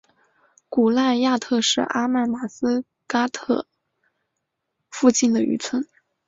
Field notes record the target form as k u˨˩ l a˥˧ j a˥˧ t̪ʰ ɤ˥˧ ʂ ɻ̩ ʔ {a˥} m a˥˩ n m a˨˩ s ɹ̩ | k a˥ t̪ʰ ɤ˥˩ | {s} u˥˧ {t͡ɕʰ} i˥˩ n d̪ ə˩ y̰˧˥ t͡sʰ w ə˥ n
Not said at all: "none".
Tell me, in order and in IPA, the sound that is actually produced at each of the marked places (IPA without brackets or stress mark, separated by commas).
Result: a˥, f, t͡ɕ